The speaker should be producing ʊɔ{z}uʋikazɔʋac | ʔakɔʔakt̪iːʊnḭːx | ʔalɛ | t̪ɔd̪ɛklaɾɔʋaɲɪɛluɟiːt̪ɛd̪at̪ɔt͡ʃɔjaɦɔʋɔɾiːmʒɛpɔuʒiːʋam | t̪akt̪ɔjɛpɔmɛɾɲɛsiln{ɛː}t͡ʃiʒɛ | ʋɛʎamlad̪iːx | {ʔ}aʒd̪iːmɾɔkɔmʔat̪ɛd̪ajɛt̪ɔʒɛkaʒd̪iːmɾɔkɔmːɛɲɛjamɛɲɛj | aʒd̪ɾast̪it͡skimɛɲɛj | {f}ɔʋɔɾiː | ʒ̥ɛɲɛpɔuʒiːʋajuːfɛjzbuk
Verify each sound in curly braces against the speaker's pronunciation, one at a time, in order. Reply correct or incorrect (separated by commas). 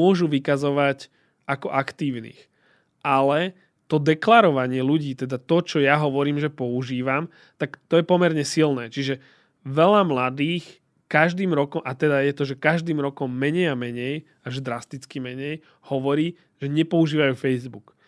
incorrect, correct, incorrect, incorrect